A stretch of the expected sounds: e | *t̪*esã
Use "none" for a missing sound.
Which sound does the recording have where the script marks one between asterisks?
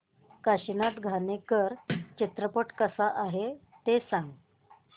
t̪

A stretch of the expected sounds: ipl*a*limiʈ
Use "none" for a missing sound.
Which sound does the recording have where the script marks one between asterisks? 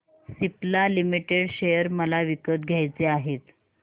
a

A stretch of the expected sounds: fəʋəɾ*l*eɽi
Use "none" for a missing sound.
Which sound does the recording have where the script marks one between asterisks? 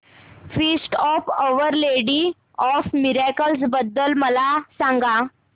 l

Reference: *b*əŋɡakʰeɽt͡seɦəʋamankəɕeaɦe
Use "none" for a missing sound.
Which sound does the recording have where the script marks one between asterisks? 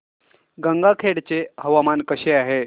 ɡ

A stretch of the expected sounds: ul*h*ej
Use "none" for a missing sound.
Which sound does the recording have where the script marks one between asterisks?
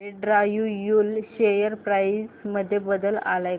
ɕ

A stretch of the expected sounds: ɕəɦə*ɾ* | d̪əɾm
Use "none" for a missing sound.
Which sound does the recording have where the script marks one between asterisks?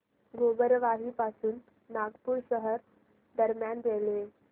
ɾ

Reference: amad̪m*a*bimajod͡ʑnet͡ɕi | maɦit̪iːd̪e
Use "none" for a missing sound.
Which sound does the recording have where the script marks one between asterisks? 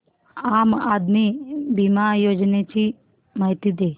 i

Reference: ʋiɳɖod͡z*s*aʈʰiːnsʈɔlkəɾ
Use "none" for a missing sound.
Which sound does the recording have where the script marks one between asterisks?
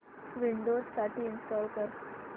s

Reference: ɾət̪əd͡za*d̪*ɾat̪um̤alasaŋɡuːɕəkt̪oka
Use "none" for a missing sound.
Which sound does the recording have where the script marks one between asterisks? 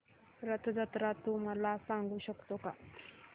t̪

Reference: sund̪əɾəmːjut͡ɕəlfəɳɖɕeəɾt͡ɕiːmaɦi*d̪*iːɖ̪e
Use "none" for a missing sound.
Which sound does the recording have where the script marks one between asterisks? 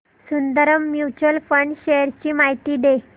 t̪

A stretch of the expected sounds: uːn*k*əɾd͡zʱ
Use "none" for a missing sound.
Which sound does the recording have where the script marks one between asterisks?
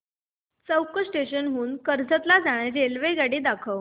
k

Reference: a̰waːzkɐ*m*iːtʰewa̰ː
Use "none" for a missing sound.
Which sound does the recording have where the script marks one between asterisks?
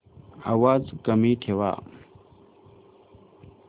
m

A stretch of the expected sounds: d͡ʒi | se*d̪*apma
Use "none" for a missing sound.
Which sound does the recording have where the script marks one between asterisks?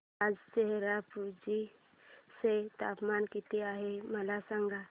t̪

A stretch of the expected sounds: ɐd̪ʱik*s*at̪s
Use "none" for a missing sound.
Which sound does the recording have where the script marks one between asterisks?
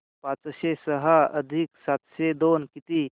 s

